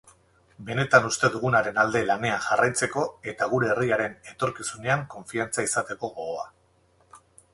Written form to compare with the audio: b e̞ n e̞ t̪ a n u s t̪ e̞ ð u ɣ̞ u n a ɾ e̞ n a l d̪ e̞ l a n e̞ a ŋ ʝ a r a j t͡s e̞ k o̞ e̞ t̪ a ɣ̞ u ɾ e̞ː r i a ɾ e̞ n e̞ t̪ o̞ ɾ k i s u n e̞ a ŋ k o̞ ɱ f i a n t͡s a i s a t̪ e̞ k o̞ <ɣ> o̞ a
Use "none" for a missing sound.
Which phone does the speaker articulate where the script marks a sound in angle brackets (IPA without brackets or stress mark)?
ɣ